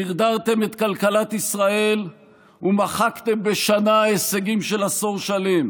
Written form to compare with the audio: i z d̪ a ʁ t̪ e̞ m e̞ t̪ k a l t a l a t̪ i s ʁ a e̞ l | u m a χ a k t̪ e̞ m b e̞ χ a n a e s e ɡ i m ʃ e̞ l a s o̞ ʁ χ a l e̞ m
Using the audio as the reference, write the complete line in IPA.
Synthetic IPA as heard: i ʁ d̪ a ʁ t̪ e̞ m e̞ t̪ k a l k a l a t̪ i s ʁ a e̞ l | u m a χ a k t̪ e̞ m b e̞ ʃ a n a e s e ɡ i m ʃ e̞ l a s o̞ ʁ ʃ a l e̞ m